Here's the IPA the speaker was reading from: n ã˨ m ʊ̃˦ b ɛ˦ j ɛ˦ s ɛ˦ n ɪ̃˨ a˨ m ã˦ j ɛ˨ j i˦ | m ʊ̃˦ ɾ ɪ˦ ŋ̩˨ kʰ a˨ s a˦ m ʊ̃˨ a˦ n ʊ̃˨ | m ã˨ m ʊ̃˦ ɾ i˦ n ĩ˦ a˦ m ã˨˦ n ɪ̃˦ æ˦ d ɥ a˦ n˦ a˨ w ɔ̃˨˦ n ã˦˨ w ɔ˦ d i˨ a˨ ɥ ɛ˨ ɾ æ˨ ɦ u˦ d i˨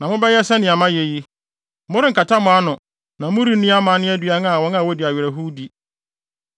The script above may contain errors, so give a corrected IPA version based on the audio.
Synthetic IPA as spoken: n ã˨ m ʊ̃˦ b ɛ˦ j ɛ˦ s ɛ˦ n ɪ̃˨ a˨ m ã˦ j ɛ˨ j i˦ | m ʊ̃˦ ɾ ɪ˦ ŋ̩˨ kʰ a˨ t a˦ m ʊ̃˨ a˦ n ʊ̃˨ | n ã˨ m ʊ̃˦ ɾ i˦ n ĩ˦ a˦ m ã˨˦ n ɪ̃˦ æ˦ d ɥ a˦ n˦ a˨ w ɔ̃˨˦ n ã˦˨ w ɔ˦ d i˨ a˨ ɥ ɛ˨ ɾ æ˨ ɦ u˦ d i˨